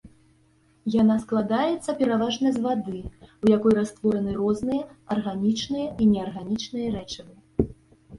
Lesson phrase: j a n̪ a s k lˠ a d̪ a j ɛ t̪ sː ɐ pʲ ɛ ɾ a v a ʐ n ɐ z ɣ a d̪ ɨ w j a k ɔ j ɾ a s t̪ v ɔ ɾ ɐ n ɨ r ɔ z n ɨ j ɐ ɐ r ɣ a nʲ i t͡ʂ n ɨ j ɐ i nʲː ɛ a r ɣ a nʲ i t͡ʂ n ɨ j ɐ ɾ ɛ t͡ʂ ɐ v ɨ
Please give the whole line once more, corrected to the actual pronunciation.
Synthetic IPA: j a n̪ a s k lˠ a d̪ a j ɛ t̪ sː ɐ pʲ ɛ ɾ a v a ʐ n ɐ z v a d̪ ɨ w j a k ɔ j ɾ a s t̪ v ɔ ɾ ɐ n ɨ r ɔ z n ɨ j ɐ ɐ r ɣ a nʲ i t͡ʂ n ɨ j ɐ i nʲ ɛ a r ɣ a nʲ i t͡ʂ n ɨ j ɐ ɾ ɛ t͡ʂ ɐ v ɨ